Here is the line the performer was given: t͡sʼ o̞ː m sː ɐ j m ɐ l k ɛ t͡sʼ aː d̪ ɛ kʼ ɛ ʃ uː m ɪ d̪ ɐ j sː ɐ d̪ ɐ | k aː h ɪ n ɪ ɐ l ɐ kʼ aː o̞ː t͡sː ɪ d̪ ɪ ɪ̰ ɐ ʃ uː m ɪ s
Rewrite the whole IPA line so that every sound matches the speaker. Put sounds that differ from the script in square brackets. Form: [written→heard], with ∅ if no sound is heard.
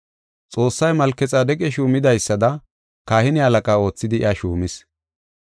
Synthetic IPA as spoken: t͡sʼ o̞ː [m→∅] sː ɐ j m ɐ l k ɛ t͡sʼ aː d̪ ɛ kʼ ɛ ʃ uː m ɪ d̪ ɐ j sː ɐ d̪ ɐ | k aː h ɪ n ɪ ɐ l ɐ kʼ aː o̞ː t͡sː ɪ d̪ ɪ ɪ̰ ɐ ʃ uː m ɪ s